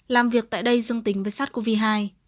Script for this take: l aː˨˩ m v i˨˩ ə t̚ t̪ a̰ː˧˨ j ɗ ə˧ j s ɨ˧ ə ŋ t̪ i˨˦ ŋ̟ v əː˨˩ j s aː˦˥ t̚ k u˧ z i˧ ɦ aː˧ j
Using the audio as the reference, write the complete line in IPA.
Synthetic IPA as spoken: l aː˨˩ m v i˨˩ ə k̚ t̪ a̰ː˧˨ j ɗ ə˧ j z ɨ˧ ə ŋ t̪ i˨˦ ŋ̟ v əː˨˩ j s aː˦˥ t̚ k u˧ v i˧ ɦ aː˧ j

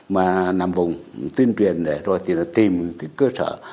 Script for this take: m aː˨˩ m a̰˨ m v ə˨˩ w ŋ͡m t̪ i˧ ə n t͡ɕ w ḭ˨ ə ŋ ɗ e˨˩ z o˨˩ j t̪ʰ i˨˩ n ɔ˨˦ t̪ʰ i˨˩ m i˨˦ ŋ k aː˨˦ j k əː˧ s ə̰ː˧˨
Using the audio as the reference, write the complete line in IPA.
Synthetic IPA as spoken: m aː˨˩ n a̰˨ m v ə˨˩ w ŋ͡m t̪ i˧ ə n t͡ɕ w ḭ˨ ə n ɗ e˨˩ z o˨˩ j t̪ʰ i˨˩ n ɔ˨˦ t̪ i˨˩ m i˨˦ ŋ k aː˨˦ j k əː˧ s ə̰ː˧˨

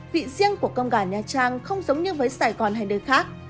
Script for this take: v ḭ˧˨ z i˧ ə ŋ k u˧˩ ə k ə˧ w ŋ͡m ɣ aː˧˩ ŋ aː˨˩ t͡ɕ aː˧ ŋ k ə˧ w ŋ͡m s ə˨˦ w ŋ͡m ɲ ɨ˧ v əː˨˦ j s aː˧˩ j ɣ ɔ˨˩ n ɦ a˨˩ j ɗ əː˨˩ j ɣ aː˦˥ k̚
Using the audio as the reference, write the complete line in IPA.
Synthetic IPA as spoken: v ḭ˧˨ z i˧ ə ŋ k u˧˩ ə k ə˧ w ŋ͡m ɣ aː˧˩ ɲ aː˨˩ t͡ɕ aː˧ ŋ x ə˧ w ŋ͡m z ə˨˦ w ŋ͡m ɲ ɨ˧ v əː˨˦ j s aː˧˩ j ɣ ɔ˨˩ n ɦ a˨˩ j ɗ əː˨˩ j x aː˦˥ k̚

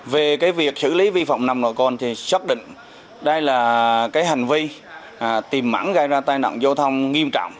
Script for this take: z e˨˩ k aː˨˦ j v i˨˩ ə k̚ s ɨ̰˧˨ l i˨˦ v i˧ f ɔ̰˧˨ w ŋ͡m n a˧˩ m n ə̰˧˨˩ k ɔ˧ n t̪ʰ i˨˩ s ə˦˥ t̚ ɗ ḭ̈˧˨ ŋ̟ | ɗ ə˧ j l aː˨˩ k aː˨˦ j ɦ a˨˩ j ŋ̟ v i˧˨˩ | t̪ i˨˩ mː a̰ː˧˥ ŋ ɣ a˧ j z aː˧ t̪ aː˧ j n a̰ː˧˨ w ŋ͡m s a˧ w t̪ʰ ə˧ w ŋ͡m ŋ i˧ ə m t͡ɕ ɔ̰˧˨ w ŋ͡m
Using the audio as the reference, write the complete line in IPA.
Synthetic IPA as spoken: v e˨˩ k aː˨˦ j v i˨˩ ə k̚ s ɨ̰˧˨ l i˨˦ v i˧ f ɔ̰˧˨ w ŋ͡m n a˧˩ m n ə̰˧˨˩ k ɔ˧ n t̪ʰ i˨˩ s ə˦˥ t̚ ɗ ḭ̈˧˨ ŋ̟ | ɗ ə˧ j l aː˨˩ k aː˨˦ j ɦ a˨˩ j ŋ̟ v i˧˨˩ | t̪ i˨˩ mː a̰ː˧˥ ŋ ɣ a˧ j z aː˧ t̪ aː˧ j n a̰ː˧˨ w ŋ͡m z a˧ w t̪ʰ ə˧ w ŋ͡m ŋ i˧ ə m t͡ɕ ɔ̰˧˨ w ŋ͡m

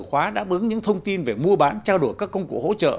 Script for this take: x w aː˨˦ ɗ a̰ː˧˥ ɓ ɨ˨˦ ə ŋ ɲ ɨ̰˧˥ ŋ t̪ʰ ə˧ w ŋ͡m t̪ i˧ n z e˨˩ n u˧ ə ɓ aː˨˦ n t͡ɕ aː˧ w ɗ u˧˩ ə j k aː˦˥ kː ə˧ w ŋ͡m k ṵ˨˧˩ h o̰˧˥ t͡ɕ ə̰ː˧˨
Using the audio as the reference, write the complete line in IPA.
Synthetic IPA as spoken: x w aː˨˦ ɗ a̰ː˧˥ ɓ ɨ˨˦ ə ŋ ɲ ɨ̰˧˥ ŋ t̪ʰ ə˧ w ŋ͡m t̪ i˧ n v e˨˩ m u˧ ə ɓ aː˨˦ n t͡ɕ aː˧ w ɗ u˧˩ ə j k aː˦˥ kː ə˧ w ŋ͡m k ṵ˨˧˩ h o̰˧˥ t͡ɕ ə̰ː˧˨

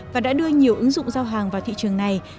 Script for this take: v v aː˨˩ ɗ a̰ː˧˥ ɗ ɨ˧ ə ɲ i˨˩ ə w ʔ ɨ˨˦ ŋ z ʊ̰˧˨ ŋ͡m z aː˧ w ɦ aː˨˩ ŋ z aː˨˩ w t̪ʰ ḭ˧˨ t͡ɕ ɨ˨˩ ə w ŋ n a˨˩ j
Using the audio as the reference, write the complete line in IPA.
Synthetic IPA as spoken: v v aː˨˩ ɗ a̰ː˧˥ ɗ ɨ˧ ə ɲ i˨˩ ə w ʔ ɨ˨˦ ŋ z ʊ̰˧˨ ŋ͡m z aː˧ w ɦ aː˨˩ ŋ v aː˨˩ w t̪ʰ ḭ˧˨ t͡ɕ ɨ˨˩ ə ŋ n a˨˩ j

